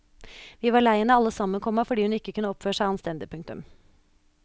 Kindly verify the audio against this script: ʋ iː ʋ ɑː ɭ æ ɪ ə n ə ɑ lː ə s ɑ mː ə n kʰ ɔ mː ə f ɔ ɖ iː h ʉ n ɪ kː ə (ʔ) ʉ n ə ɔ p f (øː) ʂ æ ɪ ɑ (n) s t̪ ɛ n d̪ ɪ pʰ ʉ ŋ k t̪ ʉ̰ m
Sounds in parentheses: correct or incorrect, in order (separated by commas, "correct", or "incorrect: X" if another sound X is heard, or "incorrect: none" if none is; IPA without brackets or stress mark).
incorrect: k, correct, correct